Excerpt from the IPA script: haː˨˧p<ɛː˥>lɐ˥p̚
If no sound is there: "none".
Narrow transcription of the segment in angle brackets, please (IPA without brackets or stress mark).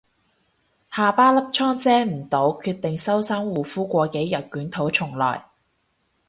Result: aː˥